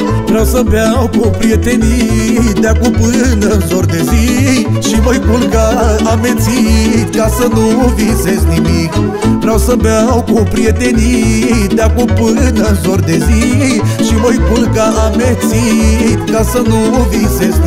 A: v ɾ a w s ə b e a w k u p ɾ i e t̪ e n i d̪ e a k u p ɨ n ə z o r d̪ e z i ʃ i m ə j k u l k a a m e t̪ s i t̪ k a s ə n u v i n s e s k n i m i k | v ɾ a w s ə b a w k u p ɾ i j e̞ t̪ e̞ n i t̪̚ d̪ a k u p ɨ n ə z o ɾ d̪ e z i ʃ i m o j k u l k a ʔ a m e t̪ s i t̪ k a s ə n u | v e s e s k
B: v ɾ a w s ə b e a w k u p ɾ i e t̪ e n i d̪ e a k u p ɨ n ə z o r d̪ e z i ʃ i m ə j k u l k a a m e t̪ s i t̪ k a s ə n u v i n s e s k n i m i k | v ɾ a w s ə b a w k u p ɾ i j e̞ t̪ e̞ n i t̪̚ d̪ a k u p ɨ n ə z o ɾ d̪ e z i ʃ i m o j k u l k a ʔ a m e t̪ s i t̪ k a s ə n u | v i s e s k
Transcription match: B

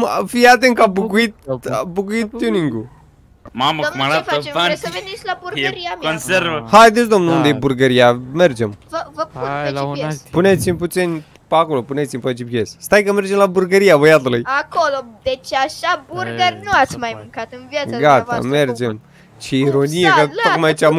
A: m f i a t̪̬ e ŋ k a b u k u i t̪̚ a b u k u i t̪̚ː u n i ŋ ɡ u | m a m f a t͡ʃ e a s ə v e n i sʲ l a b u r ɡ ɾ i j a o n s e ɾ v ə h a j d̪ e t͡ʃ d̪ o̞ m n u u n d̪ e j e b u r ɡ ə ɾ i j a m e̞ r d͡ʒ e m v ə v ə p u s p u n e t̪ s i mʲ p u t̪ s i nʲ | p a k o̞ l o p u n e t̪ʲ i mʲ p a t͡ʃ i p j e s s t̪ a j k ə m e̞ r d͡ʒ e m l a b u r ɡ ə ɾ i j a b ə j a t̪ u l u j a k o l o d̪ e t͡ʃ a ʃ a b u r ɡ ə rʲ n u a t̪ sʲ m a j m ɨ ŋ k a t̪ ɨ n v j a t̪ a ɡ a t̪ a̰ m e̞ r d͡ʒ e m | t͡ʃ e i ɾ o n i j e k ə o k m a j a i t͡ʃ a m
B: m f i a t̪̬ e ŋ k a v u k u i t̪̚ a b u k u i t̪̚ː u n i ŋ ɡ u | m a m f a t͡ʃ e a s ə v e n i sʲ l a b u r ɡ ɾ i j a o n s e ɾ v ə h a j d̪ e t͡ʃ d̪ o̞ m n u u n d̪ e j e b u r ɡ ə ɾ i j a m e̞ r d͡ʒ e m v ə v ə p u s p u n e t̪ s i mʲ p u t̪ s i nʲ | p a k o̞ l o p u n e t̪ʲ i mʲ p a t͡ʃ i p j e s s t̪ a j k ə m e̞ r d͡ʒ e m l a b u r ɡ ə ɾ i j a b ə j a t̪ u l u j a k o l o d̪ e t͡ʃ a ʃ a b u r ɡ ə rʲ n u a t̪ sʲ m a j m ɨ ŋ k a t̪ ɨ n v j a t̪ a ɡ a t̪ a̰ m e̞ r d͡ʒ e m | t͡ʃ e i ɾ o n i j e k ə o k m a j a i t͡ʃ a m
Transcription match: A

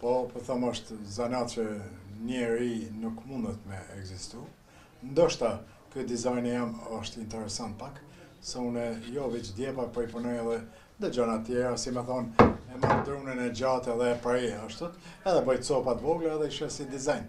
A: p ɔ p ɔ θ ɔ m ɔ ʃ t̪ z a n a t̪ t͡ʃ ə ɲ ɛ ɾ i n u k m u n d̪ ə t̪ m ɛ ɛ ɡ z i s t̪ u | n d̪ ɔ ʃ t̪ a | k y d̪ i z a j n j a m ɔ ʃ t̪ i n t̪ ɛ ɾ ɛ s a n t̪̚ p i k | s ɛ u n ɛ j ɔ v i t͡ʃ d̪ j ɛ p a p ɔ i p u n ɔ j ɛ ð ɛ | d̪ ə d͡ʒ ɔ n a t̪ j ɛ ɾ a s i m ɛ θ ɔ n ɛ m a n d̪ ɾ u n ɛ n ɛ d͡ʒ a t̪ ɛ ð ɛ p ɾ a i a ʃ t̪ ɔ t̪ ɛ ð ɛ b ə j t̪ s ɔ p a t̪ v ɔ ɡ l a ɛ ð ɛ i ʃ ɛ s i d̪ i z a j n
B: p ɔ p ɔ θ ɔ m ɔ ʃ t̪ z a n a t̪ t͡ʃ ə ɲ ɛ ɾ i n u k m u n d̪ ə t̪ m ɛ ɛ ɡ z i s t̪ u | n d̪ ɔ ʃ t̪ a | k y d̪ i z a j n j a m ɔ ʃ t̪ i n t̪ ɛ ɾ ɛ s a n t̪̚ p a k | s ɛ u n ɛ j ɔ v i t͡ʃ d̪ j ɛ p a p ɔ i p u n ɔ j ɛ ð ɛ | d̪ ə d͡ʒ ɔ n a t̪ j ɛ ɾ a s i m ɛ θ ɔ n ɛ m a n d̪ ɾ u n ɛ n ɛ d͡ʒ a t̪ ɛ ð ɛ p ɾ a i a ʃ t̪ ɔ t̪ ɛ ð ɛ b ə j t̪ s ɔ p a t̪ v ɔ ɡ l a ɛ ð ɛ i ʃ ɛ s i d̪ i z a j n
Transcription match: B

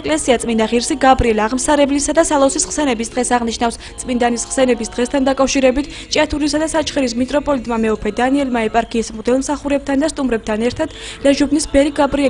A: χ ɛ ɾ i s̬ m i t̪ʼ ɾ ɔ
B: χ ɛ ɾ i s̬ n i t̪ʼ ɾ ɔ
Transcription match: A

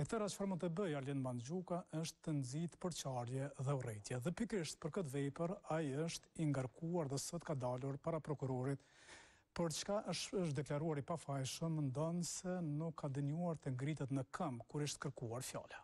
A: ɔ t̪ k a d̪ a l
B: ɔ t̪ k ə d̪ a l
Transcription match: A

